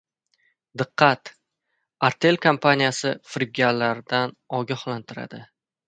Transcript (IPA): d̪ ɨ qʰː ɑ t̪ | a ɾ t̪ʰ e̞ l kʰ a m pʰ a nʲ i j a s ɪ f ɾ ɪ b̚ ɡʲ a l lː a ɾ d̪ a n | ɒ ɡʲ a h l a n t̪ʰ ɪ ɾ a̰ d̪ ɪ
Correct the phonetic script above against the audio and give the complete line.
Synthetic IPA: d̪ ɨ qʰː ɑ t̪ | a ɾ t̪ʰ e̞ l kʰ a m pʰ a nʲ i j a s ɪ f ɾ ɪ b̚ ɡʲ a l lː a ɾ d̪ a n | ɒ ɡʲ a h l a n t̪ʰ ɪ ɾ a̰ d̪ ɪ